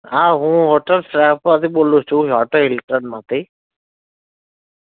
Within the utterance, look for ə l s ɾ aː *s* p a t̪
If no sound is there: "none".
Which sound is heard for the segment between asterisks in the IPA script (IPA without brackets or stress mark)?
none